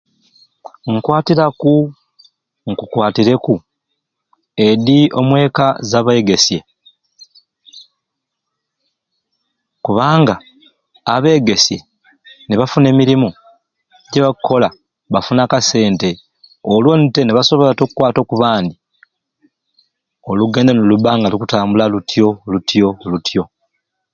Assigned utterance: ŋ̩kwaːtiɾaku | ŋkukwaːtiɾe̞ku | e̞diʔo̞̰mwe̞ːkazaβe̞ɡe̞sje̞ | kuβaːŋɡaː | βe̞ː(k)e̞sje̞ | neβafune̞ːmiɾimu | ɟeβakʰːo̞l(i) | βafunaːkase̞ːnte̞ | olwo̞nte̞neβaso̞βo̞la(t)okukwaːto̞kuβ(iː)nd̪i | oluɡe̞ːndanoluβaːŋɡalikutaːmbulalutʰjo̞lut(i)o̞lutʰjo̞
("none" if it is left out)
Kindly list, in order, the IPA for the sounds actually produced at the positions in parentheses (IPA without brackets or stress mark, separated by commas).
ɡ, a, t, aː, j